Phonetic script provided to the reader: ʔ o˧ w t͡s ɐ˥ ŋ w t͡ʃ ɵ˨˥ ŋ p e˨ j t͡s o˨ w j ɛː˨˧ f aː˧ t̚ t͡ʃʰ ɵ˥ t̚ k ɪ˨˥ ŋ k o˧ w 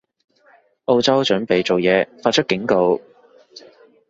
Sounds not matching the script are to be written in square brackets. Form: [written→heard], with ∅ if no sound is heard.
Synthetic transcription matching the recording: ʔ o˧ w t͡s ɐ˥ [ŋ→∅] w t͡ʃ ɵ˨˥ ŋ p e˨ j t͡s o˨ w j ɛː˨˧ f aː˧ t̚ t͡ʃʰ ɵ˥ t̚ k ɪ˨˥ ŋ k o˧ w